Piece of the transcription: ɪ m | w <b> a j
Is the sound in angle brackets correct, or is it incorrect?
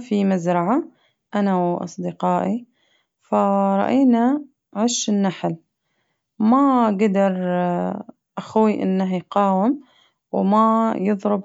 incorrect